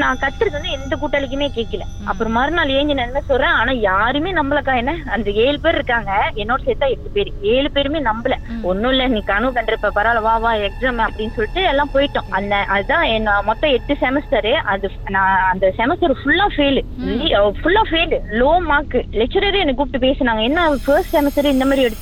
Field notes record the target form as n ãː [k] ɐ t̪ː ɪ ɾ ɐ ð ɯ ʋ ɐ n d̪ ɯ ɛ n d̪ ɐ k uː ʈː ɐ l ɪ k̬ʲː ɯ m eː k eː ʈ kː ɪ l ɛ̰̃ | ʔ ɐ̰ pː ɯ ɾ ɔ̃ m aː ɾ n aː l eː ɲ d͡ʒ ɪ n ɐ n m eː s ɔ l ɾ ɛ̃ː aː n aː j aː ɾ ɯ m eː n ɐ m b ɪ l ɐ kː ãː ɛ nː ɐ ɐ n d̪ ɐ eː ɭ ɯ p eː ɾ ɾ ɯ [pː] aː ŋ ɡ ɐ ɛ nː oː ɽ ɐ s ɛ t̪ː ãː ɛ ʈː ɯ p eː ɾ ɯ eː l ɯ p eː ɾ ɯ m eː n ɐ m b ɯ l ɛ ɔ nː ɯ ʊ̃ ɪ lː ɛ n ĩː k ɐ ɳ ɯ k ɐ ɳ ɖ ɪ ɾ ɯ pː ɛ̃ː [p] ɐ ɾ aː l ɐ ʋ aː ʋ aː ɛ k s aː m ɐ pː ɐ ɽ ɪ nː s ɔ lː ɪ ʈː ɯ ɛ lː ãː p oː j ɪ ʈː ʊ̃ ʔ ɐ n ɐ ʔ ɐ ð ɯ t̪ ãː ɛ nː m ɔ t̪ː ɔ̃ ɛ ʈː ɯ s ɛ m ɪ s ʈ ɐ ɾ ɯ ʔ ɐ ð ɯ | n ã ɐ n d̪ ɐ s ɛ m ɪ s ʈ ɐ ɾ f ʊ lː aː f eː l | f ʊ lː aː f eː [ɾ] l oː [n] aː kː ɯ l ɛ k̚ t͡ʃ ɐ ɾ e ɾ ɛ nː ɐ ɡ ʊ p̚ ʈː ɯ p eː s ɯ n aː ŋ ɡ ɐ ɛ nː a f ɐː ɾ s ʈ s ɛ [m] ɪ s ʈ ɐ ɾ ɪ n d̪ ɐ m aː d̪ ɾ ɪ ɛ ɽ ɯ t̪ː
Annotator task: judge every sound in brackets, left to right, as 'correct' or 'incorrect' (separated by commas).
correct, incorrect, correct, incorrect, incorrect, correct